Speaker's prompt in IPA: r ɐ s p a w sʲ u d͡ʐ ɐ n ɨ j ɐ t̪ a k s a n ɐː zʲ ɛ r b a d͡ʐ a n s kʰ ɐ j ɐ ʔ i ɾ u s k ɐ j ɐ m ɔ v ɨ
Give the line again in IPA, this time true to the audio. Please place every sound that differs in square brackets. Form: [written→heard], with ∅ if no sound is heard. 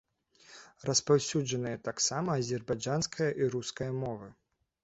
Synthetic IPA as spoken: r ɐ s p a w sʲ u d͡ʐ ɐ n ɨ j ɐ t̪ a k s a [n→m] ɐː zʲ ɛ r b a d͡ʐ a n s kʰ ɐ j ɐ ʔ i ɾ u s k ɐ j ɐ m ɔ v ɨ